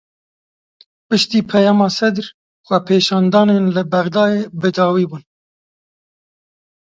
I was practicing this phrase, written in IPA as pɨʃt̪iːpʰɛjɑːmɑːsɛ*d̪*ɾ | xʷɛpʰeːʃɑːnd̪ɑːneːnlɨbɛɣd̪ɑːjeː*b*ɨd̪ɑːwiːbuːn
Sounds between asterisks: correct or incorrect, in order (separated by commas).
correct, correct